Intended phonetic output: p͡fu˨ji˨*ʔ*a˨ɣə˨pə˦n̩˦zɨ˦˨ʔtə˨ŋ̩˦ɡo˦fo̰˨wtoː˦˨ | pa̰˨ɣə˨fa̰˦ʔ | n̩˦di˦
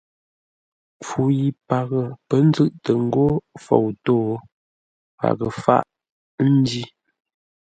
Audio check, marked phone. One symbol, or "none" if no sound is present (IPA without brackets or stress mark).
p